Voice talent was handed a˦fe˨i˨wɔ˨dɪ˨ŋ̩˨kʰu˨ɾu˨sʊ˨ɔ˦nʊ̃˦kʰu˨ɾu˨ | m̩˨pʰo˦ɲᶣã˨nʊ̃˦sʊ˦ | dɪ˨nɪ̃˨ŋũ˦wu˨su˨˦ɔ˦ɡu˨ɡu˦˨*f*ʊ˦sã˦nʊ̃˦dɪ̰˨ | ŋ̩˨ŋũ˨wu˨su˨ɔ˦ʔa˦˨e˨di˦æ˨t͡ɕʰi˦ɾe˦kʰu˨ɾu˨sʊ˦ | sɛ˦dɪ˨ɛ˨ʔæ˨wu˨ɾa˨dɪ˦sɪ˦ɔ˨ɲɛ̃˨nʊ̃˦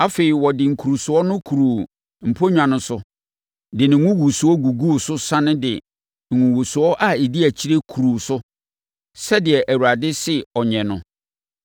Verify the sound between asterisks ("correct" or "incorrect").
incorrect